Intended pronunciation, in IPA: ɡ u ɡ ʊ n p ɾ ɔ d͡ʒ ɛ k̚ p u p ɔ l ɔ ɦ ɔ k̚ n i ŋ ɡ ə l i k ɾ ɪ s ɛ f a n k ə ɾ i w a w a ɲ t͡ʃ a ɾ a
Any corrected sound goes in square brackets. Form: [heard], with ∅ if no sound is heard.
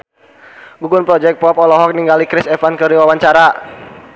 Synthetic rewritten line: ɡ u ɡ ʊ n p ɾ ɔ d͡ʒ ɛ k̚ p [ɔ] p ɔ l ɔ ɦ ɔ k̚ n i ŋ ɡ [a] l i k ɾ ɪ s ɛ f a n k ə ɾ i w a w a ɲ t͡ʃ a ɾ a